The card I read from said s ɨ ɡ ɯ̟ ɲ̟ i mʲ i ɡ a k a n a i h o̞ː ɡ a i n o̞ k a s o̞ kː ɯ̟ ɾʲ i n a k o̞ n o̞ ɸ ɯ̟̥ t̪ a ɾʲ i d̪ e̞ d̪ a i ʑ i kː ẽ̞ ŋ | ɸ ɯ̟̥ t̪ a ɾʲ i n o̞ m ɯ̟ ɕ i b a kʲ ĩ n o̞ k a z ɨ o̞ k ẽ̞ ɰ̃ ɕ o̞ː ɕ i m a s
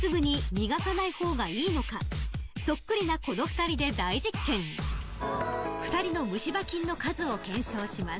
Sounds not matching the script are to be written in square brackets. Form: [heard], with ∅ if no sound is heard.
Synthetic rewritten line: s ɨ ɡ ɯ̟ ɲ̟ i mʲ i ɡ a k a n a i h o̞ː ɡ a [iː] n o̞ k a s o̞ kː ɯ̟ ɾʲ i n a k o̞ n o̞ ɸ ɯ̟̥ t̪ a ɾʲ i d̪ e̞ d̪ a i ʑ i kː ẽ̞ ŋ | ɸ ɯ̟̥ t̪ a ɾʲ i n o̞ m ɯ̟ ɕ i b a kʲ ĩ [nː] o̞ k a z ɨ o̞ k ẽ̞ ɰ̃ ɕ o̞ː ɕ i m a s